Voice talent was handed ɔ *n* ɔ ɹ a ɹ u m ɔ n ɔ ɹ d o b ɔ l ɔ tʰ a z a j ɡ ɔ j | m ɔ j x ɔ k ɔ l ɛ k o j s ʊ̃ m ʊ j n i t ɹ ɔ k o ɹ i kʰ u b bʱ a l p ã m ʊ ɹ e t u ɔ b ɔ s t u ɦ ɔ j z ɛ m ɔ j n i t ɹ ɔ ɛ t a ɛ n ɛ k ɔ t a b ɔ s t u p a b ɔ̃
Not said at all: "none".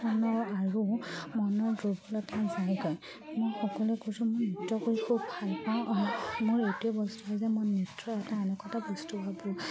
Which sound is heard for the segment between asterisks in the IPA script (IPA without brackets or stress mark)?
n